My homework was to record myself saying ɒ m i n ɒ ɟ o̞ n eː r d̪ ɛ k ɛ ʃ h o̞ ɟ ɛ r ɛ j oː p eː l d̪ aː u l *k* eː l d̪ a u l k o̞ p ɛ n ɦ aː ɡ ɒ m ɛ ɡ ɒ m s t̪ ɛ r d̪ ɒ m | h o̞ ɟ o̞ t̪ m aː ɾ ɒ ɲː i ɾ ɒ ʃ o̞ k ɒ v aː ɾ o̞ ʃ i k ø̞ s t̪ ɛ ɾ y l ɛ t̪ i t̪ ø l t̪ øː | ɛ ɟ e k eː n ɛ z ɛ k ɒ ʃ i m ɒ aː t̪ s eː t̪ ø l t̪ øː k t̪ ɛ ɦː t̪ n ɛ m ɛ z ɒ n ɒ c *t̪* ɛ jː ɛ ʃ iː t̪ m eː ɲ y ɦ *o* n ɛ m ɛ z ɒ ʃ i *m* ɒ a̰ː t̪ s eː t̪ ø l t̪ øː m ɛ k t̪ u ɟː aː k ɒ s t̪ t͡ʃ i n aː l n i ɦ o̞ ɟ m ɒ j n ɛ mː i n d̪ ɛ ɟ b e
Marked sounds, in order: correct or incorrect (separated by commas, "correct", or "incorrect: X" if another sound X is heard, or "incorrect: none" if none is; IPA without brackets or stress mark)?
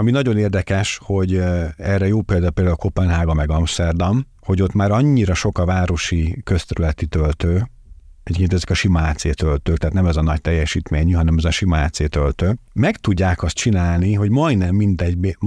incorrect: p, correct, incorrect: ɒ, correct